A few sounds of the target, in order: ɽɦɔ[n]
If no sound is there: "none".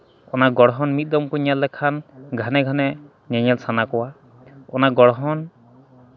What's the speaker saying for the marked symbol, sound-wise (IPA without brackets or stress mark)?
n